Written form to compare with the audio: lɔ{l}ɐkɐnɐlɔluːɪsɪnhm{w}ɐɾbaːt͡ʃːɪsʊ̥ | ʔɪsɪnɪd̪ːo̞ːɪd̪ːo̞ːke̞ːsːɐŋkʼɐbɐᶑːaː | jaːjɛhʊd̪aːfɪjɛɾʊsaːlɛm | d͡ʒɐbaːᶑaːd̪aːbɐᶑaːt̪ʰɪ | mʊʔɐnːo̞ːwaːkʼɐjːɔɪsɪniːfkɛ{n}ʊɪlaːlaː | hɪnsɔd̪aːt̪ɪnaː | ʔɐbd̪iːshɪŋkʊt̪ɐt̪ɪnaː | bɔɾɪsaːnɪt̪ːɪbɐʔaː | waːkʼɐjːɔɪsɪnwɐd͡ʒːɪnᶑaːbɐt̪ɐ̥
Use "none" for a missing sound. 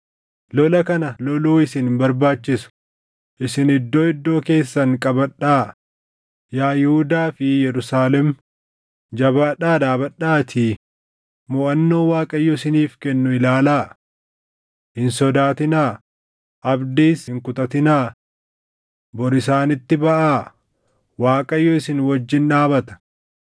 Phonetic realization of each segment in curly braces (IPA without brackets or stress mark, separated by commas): l, b, nː